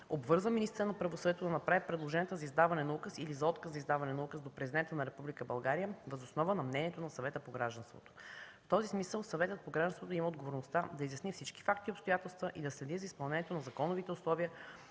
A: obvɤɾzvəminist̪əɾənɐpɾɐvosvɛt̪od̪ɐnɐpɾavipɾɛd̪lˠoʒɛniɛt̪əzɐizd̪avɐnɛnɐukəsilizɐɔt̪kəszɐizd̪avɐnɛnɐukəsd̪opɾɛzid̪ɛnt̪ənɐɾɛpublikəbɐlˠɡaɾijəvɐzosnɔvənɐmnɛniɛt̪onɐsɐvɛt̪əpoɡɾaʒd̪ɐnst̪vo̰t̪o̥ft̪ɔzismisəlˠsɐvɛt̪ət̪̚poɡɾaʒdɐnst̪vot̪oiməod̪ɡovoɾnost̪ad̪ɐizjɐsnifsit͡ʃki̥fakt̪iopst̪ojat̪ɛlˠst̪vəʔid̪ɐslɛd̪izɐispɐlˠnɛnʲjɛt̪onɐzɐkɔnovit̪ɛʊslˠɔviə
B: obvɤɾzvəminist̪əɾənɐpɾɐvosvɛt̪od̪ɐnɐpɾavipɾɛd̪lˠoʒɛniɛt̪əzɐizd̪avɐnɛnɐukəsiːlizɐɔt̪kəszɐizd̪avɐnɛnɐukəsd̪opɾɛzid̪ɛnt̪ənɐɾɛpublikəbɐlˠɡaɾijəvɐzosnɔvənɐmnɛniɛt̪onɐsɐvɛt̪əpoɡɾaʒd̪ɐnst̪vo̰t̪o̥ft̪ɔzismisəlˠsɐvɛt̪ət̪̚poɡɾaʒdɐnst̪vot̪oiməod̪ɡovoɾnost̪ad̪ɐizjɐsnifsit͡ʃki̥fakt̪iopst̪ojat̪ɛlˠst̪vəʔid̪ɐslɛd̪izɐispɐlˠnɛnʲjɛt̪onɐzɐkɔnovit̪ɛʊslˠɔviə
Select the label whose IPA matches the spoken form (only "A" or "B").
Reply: A